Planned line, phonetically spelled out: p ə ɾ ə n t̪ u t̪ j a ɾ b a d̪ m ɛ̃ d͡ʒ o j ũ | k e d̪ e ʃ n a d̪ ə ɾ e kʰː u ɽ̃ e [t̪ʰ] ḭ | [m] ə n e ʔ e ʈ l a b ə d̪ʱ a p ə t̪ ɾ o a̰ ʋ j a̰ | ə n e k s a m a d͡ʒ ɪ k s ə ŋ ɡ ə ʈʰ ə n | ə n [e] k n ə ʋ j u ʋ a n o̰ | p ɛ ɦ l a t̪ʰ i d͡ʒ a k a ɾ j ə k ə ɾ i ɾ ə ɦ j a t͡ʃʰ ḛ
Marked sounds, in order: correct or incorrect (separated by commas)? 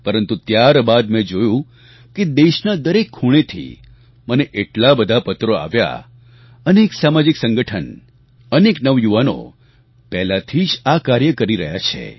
correct, correct, correct